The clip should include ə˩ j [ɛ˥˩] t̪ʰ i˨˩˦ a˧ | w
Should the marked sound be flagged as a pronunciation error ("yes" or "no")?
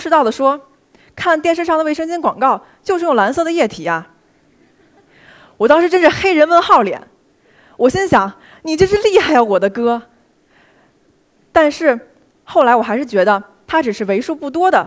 no